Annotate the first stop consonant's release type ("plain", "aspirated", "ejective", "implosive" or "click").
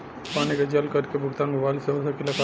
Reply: plain